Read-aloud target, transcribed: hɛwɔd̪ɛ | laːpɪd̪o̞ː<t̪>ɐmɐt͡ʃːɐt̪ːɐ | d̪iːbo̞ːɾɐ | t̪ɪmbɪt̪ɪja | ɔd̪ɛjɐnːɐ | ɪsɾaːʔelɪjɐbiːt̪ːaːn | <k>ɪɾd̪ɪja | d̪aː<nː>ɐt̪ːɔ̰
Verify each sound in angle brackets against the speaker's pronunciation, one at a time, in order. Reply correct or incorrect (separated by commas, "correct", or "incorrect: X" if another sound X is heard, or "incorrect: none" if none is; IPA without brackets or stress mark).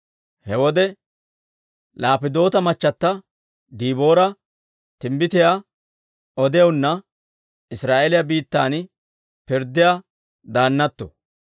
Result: correct, incorrect: p, correct